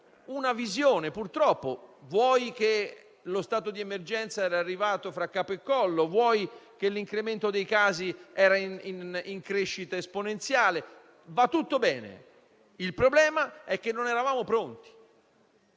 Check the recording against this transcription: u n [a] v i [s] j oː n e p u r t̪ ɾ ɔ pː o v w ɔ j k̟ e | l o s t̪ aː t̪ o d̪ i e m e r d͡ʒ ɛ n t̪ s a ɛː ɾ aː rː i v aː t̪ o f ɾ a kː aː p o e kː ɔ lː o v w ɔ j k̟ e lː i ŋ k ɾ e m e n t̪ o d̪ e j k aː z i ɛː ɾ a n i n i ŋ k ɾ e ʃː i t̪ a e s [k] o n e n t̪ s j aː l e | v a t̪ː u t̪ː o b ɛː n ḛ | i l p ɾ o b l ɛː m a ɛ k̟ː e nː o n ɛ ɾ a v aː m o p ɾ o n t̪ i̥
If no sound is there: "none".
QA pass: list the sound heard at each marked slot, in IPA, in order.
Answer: a, z, p

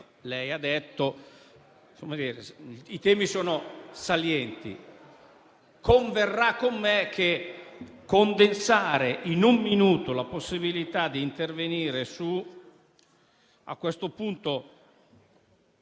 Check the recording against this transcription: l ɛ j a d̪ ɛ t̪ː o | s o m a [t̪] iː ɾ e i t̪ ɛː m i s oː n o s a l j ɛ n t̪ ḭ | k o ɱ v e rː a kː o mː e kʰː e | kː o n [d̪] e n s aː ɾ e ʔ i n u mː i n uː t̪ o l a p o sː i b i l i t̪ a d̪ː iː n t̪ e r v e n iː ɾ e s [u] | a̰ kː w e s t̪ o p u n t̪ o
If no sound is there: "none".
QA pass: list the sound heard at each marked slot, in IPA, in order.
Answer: d̪, d̪, u

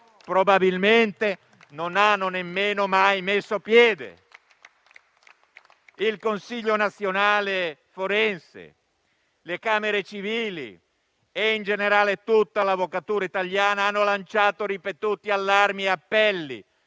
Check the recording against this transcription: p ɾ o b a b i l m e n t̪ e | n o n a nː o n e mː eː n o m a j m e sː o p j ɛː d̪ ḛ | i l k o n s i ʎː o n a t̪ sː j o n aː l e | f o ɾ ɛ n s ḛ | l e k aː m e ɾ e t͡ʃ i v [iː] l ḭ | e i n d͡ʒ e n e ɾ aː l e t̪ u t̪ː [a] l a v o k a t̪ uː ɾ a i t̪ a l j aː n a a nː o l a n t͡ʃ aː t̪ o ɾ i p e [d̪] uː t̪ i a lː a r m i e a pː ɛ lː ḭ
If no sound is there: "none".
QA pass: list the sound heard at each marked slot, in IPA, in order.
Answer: iː, a, t̪

